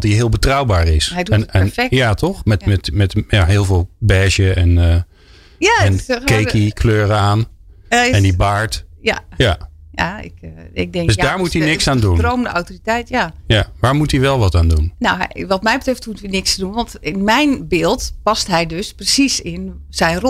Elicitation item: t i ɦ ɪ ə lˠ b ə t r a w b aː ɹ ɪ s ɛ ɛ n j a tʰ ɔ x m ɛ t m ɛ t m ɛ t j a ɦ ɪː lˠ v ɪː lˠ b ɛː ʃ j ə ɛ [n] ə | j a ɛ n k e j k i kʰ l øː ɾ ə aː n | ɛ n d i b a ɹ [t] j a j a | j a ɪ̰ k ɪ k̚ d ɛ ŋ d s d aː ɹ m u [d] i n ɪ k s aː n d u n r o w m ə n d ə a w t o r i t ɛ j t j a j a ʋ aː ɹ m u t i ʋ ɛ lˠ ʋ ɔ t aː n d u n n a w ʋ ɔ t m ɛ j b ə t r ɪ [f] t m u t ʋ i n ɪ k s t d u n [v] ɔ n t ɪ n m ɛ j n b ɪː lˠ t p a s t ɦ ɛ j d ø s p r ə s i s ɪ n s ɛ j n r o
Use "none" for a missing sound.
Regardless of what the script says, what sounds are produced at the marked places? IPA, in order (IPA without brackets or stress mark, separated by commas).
n, t, t, f, ʋ